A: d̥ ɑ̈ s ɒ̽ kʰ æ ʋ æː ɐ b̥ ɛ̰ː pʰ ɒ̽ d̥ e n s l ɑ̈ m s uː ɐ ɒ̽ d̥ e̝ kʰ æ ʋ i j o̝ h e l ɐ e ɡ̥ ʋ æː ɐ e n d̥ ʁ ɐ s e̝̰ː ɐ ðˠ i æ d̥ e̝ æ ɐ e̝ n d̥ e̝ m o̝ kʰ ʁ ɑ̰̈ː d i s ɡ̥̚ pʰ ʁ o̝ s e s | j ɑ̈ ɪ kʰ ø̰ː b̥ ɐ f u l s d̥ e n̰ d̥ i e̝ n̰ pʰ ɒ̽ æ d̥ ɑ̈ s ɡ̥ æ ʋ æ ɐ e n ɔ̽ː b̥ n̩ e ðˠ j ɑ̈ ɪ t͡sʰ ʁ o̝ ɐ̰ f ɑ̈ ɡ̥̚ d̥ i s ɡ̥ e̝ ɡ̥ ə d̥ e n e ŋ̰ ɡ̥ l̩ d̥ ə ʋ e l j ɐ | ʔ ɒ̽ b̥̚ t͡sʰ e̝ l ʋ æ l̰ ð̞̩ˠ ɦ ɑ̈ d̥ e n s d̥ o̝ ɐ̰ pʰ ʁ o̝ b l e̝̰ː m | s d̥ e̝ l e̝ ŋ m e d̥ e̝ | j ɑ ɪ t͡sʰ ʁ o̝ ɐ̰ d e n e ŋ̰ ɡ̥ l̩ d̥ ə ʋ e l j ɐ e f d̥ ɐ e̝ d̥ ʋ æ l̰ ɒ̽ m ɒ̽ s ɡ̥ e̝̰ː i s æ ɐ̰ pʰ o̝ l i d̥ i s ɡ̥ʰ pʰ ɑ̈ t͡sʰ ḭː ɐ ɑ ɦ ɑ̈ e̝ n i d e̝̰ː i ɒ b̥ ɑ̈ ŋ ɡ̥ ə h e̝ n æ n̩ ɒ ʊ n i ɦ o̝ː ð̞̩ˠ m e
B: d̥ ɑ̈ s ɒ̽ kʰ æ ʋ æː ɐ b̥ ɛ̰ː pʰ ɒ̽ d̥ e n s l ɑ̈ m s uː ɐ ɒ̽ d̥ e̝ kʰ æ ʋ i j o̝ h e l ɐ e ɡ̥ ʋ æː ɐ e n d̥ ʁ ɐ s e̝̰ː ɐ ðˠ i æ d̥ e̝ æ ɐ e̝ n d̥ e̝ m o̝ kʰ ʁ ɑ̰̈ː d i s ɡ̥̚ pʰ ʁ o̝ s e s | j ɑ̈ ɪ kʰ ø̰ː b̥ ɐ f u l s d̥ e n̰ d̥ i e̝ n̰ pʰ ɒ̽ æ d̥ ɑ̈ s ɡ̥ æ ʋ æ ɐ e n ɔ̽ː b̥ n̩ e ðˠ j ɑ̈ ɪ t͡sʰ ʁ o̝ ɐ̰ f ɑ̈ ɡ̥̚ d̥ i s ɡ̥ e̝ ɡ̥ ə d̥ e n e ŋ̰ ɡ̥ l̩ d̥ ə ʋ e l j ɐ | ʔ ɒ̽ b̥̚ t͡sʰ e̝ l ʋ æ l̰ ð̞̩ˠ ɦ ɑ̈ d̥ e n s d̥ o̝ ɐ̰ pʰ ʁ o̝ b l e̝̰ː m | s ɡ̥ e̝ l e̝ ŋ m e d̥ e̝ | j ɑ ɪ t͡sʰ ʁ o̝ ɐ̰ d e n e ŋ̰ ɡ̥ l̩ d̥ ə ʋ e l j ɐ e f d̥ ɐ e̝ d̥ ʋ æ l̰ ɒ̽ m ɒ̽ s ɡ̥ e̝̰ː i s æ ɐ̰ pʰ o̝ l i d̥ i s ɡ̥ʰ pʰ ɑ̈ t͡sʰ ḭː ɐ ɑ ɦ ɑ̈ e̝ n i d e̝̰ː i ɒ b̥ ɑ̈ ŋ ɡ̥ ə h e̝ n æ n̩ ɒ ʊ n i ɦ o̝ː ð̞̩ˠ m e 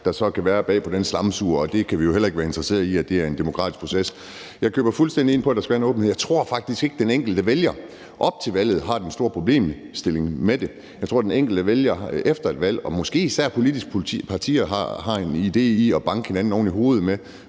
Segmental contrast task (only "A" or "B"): A